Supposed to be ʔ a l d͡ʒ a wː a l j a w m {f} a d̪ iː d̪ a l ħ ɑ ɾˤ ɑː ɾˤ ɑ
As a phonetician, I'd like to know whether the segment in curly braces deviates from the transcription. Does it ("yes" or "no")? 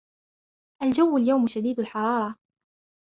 yes